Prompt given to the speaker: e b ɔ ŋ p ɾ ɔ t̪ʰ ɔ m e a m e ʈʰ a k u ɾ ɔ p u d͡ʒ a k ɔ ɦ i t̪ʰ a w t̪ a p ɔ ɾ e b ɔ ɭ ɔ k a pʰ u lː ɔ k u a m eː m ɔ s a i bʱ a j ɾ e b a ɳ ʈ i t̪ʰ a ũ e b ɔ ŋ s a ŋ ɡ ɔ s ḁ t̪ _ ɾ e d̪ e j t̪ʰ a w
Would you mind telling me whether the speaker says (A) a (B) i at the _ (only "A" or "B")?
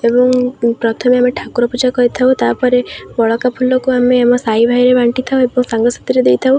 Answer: B